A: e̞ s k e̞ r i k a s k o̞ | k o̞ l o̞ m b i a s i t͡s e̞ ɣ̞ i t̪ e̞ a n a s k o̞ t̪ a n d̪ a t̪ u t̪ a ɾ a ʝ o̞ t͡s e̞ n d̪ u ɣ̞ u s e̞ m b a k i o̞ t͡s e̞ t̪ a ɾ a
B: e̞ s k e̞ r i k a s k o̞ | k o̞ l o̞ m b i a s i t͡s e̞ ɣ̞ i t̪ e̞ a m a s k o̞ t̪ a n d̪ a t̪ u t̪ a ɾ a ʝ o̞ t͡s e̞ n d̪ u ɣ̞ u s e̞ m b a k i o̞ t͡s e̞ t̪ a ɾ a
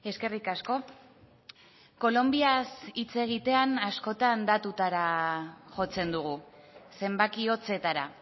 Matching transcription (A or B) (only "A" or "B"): A